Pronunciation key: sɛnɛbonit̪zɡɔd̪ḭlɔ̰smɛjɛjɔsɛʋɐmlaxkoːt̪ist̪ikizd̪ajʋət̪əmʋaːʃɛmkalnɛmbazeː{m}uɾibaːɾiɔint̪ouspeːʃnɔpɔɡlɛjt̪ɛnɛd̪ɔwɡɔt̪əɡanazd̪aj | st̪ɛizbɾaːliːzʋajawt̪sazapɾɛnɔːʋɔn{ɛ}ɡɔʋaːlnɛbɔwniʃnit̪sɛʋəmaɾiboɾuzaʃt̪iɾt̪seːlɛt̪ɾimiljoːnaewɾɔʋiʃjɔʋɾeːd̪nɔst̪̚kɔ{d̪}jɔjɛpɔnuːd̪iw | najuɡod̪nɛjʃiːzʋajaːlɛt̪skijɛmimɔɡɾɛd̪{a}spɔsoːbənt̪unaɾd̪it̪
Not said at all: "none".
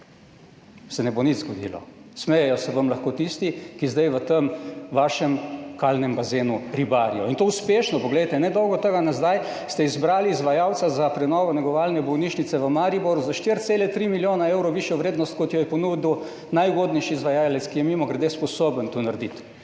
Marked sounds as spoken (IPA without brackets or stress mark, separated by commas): n, ɛ, t̪, e